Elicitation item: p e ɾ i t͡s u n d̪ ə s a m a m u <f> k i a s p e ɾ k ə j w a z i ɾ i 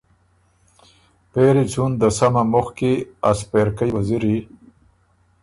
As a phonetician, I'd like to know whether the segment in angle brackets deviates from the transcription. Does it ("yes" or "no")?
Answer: yes